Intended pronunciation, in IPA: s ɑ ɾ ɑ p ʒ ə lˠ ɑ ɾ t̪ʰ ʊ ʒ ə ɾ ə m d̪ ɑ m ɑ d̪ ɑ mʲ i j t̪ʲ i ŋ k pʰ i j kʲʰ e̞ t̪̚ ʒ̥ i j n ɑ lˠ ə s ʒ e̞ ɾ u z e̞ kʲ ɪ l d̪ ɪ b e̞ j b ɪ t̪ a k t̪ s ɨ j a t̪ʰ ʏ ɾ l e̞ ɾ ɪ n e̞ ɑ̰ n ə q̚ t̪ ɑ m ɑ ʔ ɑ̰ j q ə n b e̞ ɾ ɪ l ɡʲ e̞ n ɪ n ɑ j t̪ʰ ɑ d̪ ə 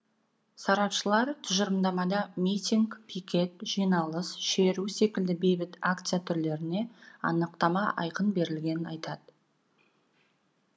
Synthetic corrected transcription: s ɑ ɾ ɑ p ʃ ə lˠ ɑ ɾ t̪ʰ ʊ ʒ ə ɾ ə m d̪ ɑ m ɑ d̪ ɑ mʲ i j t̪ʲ i ŋ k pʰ i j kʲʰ e̞ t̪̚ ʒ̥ i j n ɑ lˠ ə s ʃ e̞ ɾ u s e̞ kʲ ɪ l d̪ ɪ b e̞ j b ɪ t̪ a k t̪ s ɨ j a t̪ʰ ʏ ɾ l e̞ ɾ ɪ n e̞ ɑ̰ n ə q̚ t̪ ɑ m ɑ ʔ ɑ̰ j q ə n b e̞ ɾ ɪ l ɡʲ e̞ n ɪ n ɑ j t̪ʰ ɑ d̪ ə